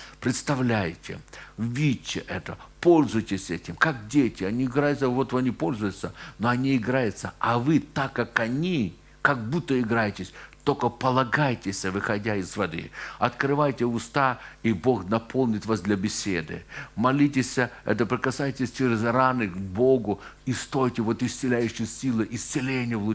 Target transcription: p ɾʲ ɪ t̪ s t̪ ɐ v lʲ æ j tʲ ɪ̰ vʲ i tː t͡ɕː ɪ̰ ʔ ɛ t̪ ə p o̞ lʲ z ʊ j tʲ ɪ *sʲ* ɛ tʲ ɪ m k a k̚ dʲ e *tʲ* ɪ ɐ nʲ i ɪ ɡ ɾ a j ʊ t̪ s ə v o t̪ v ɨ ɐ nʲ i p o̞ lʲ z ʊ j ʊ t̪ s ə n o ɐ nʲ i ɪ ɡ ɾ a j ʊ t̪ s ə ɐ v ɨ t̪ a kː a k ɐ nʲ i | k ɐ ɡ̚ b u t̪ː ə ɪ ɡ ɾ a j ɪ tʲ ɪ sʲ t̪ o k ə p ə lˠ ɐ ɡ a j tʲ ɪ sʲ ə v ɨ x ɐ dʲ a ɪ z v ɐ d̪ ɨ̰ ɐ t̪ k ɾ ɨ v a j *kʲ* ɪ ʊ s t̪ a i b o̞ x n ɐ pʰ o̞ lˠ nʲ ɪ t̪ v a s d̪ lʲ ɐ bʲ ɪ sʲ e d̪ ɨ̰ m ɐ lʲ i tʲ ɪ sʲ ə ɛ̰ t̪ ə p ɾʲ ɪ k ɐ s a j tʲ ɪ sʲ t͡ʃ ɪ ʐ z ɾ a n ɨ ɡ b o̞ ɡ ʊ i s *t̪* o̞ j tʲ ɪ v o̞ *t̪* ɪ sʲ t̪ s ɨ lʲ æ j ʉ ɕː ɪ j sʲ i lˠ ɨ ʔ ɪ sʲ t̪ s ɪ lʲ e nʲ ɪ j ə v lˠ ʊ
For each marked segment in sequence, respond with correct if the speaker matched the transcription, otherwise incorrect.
correct, correct, incorrect: tʲ, correct, correct

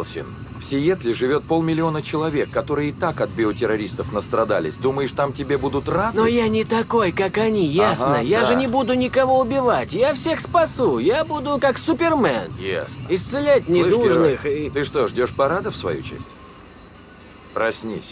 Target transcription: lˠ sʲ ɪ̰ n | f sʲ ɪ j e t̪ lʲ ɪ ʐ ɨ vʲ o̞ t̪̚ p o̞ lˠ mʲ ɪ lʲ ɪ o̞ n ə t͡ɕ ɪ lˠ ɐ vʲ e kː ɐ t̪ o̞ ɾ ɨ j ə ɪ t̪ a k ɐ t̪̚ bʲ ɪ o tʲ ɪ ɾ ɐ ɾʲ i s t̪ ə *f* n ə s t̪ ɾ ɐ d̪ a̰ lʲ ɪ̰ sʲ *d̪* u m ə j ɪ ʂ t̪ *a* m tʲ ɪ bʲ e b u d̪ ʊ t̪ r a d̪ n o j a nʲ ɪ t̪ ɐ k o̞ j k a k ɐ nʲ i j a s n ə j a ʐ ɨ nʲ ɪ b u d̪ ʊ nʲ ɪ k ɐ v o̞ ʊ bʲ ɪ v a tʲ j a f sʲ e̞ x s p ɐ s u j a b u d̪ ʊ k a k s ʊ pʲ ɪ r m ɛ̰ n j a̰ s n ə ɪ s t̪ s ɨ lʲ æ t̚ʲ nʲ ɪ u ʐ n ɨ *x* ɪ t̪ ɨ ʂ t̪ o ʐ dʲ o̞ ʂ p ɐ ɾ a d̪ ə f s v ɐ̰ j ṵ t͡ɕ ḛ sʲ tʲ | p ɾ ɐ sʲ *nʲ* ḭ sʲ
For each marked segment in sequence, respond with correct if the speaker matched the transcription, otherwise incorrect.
correct, correct, correct, correct, correct

